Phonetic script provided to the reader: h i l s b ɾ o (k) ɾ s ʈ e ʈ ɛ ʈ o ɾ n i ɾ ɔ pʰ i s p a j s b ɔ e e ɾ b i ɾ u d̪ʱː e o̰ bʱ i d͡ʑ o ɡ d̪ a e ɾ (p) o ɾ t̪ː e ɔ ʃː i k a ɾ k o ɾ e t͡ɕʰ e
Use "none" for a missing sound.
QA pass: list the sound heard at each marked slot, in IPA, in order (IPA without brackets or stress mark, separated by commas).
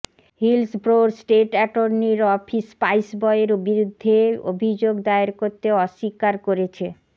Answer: none, k